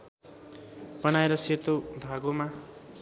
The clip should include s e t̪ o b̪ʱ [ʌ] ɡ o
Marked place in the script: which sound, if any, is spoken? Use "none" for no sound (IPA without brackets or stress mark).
a